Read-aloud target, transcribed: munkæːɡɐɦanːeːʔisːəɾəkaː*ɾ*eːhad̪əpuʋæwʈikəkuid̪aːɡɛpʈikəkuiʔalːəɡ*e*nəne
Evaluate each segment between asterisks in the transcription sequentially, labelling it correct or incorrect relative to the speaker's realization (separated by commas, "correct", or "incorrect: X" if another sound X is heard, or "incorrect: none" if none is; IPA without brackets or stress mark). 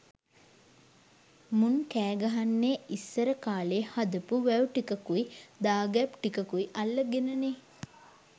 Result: incorrect: l, correct